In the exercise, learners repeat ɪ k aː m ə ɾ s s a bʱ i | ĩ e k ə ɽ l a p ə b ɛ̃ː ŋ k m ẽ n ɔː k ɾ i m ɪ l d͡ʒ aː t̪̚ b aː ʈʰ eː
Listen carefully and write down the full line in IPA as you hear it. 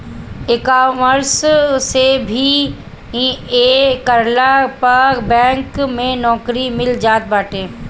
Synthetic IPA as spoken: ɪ k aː m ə ɾ s s e bʱ i | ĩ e k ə ɾ l a p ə b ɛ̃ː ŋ k m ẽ n ɔː k ɾ i m ɪ l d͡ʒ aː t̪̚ b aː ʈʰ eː